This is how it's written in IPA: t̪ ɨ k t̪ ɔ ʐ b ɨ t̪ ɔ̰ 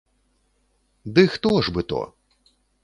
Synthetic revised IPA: d̪ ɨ x t̪ ɔ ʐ b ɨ t̪ ɔ̰

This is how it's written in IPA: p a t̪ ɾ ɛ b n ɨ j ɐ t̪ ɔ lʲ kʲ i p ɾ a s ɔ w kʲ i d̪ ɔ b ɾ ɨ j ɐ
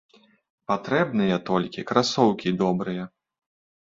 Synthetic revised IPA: p a t̪ ɾ ɛ b n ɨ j ɐ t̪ ɔ lʲ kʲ i k ɾ a s ɔ w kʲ i d̪ ɔ b ɾ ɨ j ɐ

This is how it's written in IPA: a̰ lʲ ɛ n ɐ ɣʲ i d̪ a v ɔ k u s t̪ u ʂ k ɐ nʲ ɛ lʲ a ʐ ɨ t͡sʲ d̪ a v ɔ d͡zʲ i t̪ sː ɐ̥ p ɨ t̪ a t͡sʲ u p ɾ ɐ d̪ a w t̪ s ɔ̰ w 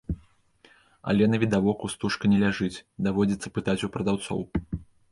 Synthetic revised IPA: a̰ lʲ ɛ n ɐ vʲ i d̪ a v ɔ k u s t̪ u ʂ k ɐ nʲ ɛ lʲ a ʐ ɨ t͡sʲ d̪ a v ɔ d͡zʲ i t̪ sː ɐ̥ p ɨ t̪ a t͡sʲ u p ɾ ɐ d̪ a w t̪ s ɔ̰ w

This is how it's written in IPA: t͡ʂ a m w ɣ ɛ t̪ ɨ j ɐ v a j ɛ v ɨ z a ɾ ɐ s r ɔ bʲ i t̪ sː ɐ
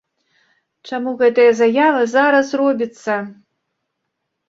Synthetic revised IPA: t͡ʂ a m u ɣ ɛ t̪ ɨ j ɐ z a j a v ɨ z a ɾ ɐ s r ɔ bʲ i t̪ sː ɐ

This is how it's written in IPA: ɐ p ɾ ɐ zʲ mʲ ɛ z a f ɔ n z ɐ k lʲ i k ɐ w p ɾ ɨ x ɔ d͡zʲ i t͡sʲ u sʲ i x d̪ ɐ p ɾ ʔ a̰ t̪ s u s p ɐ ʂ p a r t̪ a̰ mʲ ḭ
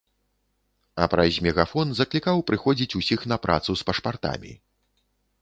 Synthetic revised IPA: ɐ p ɾ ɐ zʲ mʲ ɛ ɣ a f ɔ n z ɐ k lʲ i k a w p ɾ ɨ x ɔ d͡zʲ i t͡sʲ u sʲ i x n̪ ɐ p ɾ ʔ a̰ t̪ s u s p ɐ ʂ p a r t̪ a̰ mʲ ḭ

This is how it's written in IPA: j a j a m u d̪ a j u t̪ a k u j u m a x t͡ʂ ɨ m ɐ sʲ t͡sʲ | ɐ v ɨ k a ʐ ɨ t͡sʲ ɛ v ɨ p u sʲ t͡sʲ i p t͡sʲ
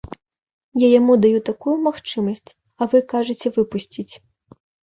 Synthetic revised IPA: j a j a m u d̪ a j u t̪ a k u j u m a x t͡ʂ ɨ m ɐ sʲ t͡sʲ | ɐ v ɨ k a ʐ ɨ t͡sʲ ɛ v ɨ p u sʲ t͡sʲ i t͡sʲ

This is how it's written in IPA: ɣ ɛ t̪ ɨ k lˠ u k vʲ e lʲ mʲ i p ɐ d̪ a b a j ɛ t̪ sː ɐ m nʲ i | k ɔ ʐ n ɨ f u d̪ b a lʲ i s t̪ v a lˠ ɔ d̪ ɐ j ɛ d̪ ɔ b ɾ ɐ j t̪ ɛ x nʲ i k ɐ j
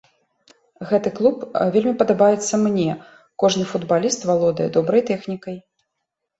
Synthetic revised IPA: ɣ ɛ t̪ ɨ k lˠ u p vʲ e lʲ mʲ i p ɐ d̪ a b a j ɛ t̪ sː ɐ m nʲ ɛ | k ɔ ʐ n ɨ f u d̪ b a lʲ i s t̪ v a lˠ ɔ d̪ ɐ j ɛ d̪ ɔ b ɾ ɐ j t̪ ɛ x nʲ i k ɐ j

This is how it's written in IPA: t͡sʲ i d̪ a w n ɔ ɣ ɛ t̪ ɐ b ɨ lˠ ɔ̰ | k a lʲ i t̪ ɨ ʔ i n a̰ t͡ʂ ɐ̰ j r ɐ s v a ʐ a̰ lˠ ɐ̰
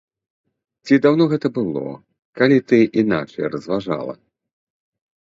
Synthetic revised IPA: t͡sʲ i d̪ a w n ɔ ɣ ɛ t̪ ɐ b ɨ lˠ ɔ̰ | k a lʲ i t̪ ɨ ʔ i n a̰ t͡ʂ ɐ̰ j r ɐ z v a ʐ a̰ lˠ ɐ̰

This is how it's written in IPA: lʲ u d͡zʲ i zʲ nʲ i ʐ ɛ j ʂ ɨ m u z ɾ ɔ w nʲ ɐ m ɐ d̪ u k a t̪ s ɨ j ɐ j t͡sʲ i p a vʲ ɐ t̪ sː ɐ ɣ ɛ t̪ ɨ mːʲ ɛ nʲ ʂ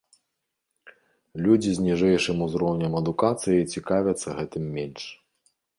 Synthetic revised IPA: lʲ u d͡zʲ i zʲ nʲ i ʐ ɛ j ʂ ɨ m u z ɾ ɔ w nʲ ɐ m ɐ d̪ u k a t̪ s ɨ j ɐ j t͡sʲ i k a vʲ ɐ t̪ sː ɐ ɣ ɛ t̪ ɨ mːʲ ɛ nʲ ʂ

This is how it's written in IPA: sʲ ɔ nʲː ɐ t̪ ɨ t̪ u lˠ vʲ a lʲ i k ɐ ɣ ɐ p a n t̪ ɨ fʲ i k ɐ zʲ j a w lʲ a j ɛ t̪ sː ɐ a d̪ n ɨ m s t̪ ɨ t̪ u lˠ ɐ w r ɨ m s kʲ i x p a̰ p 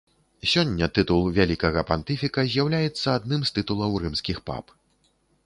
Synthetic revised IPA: sʲ ɔ nʲː ɐ t̪ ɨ t̪ u lˠ vʲ a lʲ i k ɐ ɣ ɐ p a n t̪ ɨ fʲ i k ɐ zʲ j a w lʲ a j ɛ t̪ sː ɐ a d̪ n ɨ m s t̪ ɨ t̪ u lˠ ɐ w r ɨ m s kʲ i x p a̰ p

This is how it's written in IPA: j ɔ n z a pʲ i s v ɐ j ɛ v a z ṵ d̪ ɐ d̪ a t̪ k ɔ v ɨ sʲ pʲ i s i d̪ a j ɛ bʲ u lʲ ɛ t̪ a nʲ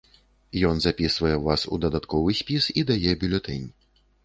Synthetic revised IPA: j ɔ n z a pʲ i s v ɐ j ɛ v a s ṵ d̪ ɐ d̪ a t̪ k ɔ v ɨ sʲ pʲ i s i d̪ a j ɛ bʲ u lʲ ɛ t̪ ɛ nʲ

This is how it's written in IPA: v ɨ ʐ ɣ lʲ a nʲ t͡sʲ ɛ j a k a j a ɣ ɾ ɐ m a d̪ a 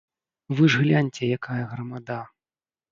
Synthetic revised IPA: v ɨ ʐ ɣ lʲ a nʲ t͡sʲ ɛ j a k a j ɐ ɣ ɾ ɐ m a d̪ a

